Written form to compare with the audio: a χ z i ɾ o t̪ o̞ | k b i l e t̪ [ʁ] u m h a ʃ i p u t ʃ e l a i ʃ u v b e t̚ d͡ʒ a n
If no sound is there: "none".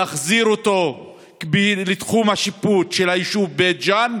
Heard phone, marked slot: χ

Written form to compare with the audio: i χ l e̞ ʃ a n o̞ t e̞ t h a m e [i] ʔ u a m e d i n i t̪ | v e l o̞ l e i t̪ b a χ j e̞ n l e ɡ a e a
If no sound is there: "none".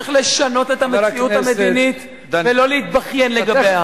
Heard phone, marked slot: i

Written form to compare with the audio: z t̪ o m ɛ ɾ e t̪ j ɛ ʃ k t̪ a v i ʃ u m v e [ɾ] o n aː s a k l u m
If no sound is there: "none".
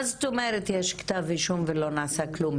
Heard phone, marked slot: l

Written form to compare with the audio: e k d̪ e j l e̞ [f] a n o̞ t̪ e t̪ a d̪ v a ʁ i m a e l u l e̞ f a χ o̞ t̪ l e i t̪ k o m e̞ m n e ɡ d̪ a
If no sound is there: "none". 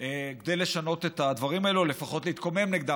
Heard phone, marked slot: ʃ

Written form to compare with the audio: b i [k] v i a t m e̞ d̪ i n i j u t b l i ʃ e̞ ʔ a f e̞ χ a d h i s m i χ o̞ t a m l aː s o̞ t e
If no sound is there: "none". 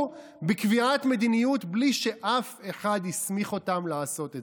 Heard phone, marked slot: k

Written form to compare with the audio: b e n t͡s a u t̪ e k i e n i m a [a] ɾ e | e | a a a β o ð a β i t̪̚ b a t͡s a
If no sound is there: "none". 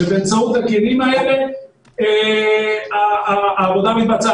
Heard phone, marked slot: e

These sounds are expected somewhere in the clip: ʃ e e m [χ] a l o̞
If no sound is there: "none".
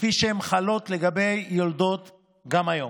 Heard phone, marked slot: χ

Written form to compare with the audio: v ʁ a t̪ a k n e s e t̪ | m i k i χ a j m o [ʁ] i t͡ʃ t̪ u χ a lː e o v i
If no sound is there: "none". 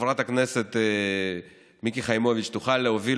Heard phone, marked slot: v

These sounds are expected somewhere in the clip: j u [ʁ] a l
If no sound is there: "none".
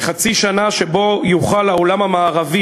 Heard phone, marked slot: χ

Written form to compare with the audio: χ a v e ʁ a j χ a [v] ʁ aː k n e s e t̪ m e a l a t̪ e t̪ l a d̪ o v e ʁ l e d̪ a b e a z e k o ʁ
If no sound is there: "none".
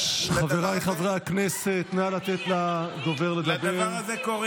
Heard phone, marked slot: v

